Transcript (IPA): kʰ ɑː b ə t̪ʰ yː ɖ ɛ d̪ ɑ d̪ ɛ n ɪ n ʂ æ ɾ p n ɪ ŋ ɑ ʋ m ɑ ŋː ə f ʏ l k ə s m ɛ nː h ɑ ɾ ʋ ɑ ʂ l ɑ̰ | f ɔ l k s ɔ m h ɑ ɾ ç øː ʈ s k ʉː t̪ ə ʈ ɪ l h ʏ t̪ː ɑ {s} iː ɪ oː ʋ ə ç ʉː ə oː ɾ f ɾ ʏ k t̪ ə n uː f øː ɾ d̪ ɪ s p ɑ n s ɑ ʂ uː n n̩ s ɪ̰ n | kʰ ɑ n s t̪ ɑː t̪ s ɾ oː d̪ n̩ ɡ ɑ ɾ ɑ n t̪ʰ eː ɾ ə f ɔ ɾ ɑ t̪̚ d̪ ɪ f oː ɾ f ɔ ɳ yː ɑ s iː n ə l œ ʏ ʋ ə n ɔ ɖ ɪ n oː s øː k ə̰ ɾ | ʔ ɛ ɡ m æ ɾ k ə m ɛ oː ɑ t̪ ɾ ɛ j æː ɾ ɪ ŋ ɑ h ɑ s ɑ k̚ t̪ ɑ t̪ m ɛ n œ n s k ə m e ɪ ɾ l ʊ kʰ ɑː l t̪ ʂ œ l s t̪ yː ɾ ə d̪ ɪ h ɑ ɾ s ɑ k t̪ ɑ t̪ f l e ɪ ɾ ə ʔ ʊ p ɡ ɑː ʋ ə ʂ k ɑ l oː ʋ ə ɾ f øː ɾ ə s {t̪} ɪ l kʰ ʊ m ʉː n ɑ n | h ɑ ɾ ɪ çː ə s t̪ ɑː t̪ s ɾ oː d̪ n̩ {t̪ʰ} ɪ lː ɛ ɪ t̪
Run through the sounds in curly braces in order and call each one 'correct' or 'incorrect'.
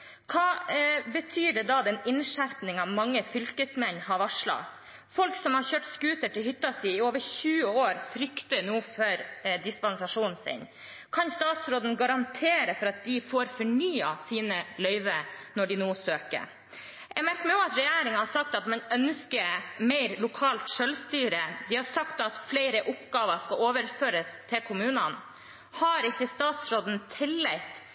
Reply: correct, incorrect: t̪ʰ, correct

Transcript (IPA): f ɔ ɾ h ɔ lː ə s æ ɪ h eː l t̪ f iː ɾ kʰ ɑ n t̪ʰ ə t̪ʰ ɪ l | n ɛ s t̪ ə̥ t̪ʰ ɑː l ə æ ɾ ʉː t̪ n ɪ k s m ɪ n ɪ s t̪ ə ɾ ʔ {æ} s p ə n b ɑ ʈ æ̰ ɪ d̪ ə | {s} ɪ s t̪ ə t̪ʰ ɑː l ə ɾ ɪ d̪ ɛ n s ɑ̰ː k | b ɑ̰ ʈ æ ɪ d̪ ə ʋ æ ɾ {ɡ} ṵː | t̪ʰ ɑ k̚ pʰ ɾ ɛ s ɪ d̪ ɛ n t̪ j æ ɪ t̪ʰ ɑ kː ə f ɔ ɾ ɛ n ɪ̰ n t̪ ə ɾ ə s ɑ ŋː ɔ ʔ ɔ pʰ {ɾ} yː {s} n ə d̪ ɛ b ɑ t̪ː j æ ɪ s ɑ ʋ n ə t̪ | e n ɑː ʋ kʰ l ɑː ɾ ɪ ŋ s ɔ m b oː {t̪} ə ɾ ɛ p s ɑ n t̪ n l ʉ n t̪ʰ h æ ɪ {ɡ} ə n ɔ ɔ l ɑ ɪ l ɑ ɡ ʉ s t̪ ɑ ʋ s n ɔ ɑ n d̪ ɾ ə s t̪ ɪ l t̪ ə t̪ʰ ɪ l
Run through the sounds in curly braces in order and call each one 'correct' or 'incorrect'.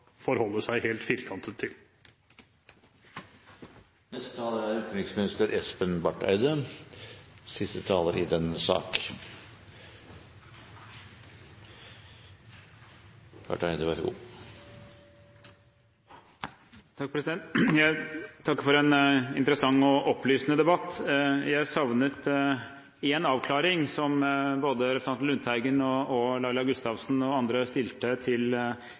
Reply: incorrect: ɛ, correct, correct, incorrect: l, correct, incorrect: d̪, correct

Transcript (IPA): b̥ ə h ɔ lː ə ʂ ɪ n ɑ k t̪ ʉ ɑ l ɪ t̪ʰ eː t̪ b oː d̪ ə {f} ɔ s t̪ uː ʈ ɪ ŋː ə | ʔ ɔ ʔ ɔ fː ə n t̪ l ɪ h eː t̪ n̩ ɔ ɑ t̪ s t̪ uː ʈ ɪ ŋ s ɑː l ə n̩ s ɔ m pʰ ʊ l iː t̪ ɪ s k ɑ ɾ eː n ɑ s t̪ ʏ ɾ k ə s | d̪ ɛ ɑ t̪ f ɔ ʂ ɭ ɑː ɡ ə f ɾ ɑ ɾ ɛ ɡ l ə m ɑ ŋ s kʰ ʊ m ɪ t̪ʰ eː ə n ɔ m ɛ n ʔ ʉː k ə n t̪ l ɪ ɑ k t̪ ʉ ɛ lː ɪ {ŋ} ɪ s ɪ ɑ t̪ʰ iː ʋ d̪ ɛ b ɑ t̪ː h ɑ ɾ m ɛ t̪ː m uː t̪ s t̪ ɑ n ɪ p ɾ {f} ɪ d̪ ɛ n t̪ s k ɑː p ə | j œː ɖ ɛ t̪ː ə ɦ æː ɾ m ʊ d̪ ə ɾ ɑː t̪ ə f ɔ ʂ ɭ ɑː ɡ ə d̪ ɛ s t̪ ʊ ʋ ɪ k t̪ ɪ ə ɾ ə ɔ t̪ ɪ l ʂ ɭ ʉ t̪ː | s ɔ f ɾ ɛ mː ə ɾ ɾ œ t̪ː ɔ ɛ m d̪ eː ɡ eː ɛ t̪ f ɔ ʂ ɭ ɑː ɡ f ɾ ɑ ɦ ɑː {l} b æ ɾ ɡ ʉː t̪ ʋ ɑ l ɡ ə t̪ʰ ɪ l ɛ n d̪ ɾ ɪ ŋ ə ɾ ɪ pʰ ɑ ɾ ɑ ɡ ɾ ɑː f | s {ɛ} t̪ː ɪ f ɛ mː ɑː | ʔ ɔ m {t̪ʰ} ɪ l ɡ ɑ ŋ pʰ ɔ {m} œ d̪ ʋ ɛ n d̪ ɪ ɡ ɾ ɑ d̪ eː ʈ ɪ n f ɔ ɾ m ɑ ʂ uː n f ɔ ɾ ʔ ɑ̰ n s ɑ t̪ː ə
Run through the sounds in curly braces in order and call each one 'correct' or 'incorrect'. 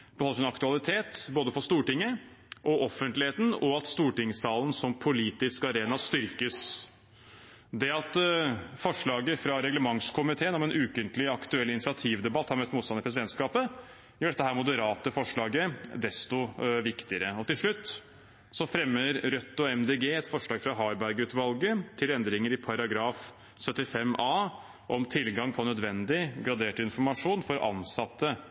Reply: correct, incorrect: n, incorrect: s, incorrect: ɾ, incorrect: œ, correct, incorrect: n

